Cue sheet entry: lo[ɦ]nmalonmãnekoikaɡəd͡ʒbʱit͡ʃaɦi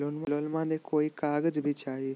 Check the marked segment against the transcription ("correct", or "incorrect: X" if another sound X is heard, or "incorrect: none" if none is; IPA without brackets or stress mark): incorrect: none